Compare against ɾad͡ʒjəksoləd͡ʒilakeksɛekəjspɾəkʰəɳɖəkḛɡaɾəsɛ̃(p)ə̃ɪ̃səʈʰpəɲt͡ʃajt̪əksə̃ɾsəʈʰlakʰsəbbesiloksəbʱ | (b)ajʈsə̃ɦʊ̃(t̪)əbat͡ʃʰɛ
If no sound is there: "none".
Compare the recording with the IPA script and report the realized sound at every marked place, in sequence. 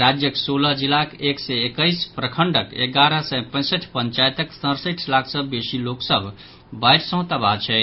p, b, t̪

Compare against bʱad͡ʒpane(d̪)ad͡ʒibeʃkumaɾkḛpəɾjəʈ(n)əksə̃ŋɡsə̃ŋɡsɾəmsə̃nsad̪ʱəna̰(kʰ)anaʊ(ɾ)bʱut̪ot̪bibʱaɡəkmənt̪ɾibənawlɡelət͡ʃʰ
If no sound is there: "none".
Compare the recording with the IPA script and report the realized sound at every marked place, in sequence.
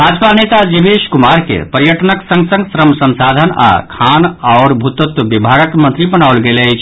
t̪, n, kʰ, ɾ

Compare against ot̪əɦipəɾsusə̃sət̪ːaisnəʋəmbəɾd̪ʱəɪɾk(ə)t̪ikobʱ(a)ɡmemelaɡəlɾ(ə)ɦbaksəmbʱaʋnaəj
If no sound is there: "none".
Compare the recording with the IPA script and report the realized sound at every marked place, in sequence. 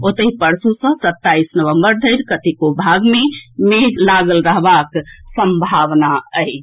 ə, a, ə

